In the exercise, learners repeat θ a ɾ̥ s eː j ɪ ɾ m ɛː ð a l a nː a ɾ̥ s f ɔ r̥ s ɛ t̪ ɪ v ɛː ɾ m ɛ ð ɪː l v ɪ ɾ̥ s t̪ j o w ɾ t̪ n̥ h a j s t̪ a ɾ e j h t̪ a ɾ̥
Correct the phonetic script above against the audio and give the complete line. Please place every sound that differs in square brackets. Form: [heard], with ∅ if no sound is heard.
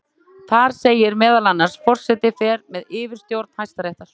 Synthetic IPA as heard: θ a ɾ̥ s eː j ɪ ɾ m ɛː ð a l a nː a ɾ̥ s f ɔ r̥ s ɛ t̪ ɪ [f] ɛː ɾ m ɛ ð ɪː [∅] v ɪ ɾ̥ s t̪ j o w ɾ t̪ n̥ h a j s t̪ a ɾ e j h t̪ a ɾ̥